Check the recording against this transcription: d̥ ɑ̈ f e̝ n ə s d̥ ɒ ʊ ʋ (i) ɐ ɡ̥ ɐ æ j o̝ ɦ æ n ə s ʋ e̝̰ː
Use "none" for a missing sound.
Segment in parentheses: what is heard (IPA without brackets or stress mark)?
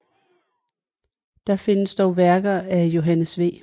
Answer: æ